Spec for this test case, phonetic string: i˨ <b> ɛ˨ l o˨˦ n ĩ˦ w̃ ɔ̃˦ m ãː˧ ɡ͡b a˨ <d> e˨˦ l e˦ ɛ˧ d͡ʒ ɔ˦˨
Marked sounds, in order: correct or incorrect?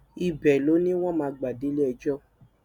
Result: correct, correct

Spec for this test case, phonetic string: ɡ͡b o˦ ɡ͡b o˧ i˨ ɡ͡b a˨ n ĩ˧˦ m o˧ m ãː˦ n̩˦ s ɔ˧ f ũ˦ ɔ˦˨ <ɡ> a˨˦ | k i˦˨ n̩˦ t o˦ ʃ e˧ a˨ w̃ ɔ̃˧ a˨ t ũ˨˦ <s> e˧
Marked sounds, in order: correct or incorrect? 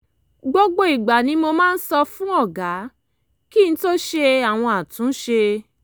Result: correct, incorrect: ʃ

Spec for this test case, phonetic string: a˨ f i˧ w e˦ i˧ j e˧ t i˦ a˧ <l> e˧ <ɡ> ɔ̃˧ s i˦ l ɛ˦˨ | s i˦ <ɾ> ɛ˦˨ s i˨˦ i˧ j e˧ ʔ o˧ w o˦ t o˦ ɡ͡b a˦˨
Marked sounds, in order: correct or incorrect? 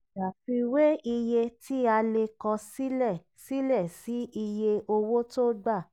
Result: correct, incorrect: k, incorrect: l

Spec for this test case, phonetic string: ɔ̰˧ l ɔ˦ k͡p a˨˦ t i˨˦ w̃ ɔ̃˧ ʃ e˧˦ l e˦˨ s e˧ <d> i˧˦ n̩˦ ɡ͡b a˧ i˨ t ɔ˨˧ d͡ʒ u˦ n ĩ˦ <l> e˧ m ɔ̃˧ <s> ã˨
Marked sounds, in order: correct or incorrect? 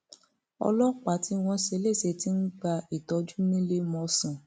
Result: incorrect: t, correct, correct

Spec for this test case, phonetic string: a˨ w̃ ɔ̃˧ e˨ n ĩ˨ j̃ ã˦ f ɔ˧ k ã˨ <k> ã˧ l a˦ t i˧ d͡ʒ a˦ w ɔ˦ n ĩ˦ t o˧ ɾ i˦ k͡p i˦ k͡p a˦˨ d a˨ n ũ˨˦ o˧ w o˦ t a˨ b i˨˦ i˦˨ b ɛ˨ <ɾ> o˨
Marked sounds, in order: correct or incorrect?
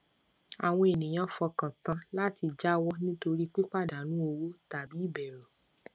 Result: incorrect: t, correct

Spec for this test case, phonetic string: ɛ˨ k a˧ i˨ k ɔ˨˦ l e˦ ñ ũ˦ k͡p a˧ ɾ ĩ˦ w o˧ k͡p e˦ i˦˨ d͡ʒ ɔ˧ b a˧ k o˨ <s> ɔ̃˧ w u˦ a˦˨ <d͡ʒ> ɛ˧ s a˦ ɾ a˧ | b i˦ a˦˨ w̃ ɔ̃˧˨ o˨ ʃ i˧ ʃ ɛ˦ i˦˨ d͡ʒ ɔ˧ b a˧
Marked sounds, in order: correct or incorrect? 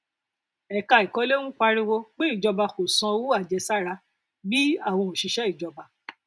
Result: correct, correct

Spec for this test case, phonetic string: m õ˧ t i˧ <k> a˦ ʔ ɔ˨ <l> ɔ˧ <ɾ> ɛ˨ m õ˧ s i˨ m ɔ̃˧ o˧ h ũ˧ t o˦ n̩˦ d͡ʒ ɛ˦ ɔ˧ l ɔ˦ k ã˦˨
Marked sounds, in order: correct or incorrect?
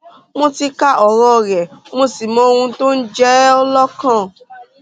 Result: correct, incorrect: ɾ, correct

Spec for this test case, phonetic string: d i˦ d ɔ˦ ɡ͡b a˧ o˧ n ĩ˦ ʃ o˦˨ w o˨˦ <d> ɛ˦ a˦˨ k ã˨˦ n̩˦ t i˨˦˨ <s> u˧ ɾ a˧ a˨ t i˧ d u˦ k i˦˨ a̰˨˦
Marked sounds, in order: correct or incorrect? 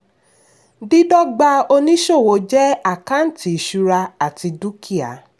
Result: incorrect: d͡ʒ, incorrect: ʃ

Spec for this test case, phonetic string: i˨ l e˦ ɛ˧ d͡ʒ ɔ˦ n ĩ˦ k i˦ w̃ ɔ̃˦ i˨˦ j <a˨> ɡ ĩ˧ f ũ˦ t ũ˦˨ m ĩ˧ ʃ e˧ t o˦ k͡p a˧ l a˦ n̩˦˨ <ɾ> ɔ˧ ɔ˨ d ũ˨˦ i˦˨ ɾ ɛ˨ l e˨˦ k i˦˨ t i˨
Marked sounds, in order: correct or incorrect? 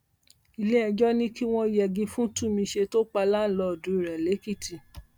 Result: incorrect: ɛ˨, incorrect: l

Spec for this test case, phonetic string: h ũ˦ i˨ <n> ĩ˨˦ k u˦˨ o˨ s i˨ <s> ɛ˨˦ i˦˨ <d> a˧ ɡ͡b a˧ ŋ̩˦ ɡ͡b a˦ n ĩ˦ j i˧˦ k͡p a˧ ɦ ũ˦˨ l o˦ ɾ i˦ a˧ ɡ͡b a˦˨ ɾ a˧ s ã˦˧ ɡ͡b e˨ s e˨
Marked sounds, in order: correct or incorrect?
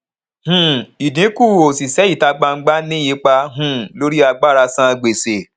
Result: incorrect: d, correct, incorrect: t

